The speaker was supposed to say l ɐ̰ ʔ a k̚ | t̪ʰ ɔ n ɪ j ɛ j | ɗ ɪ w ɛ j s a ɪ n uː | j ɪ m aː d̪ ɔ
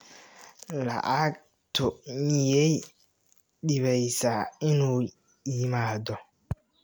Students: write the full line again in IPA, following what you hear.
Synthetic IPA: l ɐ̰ ʔ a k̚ | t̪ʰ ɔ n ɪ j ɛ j | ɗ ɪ β ɛ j s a ɪ n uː | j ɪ m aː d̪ ɔ